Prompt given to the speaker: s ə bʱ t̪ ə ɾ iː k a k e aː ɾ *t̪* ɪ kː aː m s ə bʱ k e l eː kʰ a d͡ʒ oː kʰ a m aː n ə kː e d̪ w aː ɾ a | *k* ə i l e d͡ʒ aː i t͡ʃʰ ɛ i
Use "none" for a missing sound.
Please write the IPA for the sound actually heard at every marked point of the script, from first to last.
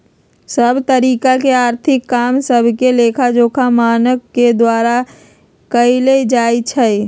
t̪ʰ, k

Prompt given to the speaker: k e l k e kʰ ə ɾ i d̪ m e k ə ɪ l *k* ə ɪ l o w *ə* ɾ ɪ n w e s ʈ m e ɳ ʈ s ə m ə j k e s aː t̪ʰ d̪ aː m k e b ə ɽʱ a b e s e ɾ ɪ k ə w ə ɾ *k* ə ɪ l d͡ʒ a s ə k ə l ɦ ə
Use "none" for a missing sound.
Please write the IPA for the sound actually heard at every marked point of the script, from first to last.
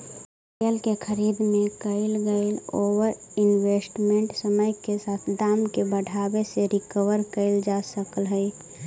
ɡ, ə, k

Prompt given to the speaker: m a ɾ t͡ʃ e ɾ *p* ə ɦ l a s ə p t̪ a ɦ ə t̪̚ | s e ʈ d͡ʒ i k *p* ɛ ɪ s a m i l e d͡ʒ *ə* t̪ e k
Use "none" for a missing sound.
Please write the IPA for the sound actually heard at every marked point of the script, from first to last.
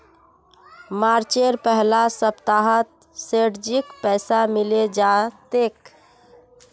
p, p, a

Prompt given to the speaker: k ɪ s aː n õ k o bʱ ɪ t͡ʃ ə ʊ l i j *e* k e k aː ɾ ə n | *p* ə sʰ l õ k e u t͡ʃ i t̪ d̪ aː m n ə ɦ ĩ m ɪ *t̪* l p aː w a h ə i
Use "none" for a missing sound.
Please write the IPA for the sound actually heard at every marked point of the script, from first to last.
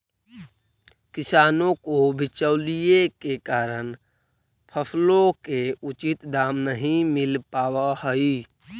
e, pʰ, none

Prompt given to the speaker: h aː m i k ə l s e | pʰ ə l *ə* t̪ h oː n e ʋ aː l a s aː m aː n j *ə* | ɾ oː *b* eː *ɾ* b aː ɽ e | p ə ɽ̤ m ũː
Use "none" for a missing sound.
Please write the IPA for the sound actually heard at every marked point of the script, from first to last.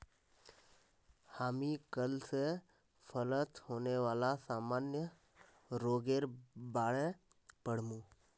ə, ə, ɡ, ɾ

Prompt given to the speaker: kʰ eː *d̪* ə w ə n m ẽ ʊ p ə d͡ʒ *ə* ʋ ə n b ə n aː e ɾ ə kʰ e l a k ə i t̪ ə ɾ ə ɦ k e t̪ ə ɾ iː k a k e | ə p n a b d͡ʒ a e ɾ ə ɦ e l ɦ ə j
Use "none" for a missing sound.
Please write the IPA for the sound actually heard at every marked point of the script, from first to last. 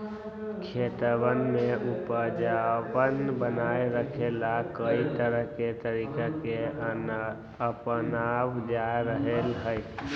t̪, a

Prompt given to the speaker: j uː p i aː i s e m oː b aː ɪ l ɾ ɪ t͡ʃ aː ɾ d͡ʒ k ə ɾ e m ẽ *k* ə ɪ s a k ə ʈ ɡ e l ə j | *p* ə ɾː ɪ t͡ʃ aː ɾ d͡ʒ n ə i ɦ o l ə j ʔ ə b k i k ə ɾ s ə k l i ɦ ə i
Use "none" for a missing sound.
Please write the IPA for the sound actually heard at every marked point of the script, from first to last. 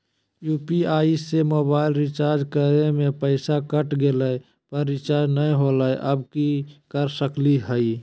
p, p

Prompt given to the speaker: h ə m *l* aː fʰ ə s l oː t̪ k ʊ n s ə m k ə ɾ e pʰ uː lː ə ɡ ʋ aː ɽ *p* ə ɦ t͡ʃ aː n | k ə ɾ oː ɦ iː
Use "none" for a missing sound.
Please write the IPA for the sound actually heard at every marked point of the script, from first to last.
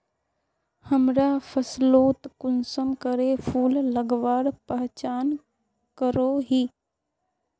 ɾ, p

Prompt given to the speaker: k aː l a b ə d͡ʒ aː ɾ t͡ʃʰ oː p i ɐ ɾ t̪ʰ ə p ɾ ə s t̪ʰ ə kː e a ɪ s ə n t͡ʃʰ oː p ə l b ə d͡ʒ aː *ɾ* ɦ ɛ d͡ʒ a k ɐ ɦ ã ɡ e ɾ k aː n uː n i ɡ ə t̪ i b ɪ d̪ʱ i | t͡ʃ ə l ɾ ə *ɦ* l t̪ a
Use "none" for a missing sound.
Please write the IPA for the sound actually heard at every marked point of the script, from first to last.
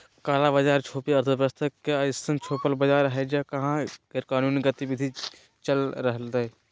ɾ, ɦ

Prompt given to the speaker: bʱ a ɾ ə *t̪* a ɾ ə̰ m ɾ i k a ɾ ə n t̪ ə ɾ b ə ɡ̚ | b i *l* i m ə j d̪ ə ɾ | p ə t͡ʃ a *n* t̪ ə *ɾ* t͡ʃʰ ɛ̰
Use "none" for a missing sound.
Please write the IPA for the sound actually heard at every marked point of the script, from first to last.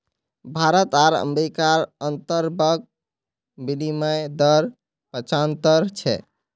t̪, l, n, ɾ

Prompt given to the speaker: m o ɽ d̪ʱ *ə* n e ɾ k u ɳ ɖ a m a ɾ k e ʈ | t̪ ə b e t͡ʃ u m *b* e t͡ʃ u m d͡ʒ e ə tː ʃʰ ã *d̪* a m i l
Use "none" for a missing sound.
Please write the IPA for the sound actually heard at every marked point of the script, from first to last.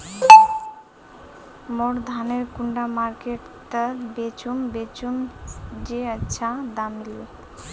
a, b, d̪

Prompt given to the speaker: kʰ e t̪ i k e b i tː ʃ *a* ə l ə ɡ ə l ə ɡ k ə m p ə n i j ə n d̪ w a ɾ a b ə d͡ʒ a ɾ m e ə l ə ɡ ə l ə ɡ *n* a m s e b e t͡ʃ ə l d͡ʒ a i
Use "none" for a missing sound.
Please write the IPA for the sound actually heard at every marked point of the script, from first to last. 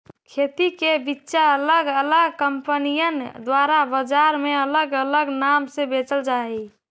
a, n

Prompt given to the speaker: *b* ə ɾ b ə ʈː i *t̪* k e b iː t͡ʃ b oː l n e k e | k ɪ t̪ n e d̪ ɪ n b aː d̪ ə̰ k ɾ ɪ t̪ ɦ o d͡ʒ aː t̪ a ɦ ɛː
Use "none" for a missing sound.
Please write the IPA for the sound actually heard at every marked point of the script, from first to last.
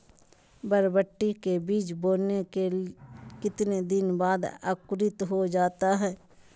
b, none

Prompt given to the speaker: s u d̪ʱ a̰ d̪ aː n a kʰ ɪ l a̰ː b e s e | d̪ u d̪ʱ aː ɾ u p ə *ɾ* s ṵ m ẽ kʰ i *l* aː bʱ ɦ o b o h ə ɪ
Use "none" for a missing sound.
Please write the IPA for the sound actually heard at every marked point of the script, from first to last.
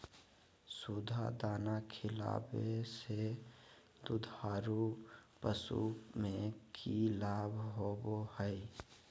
none, l

